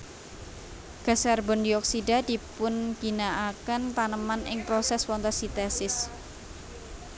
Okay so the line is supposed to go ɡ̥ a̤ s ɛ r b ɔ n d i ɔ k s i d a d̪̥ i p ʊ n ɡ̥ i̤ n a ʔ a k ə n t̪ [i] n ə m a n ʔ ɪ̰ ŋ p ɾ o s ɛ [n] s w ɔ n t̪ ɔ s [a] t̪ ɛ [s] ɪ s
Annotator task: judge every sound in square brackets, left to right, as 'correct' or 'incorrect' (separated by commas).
incorrect, incorrect, incorrect, correct